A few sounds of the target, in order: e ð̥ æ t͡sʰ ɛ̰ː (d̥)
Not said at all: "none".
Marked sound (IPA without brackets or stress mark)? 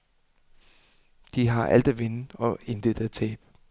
b̥